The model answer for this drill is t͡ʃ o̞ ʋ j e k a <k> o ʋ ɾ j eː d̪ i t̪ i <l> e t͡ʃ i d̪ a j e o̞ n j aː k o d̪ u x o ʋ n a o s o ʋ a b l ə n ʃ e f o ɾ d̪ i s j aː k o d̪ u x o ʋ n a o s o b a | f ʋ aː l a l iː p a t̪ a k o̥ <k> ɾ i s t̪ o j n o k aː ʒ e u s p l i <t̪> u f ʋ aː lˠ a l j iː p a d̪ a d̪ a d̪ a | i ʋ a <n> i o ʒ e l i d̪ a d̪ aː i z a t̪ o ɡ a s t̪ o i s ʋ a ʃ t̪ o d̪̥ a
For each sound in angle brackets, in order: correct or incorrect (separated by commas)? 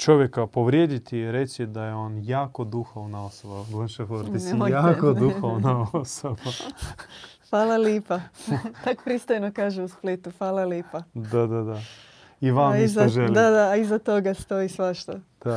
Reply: incorrect, incorrect, incorrect, correct, incorrect